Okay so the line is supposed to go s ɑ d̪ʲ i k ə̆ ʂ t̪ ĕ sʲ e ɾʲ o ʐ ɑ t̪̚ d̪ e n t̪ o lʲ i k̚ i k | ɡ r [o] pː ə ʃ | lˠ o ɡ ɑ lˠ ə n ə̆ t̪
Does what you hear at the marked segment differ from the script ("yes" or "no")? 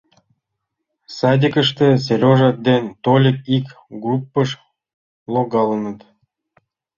yes